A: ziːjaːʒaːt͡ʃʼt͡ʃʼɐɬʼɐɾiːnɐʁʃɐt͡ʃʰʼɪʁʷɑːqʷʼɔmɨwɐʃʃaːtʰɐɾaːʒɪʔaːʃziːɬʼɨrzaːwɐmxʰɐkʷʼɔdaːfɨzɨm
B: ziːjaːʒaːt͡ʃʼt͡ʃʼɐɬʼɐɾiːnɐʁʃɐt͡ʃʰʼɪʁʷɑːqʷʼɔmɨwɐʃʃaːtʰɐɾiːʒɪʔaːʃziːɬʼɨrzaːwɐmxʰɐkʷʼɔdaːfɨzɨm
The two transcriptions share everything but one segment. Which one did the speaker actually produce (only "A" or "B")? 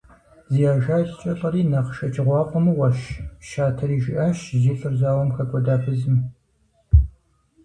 B